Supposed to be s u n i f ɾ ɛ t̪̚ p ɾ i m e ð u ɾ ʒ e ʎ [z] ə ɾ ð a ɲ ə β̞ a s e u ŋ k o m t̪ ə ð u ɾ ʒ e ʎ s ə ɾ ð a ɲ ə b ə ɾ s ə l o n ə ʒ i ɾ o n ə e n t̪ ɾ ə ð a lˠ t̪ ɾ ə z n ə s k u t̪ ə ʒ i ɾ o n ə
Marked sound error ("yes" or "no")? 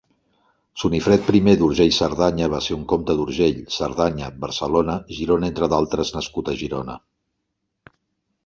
yes